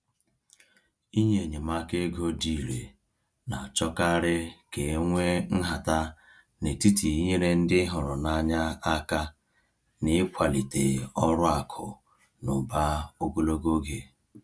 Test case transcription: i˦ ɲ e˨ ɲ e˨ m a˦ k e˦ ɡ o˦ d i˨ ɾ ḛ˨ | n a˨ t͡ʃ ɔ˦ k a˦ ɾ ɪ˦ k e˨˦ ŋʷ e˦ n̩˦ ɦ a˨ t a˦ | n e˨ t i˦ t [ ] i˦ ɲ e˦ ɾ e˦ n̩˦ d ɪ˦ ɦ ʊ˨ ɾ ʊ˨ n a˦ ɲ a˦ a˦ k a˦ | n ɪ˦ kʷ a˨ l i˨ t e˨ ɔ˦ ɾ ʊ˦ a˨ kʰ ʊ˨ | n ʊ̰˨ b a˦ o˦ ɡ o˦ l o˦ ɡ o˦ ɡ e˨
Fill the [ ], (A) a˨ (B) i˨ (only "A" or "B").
B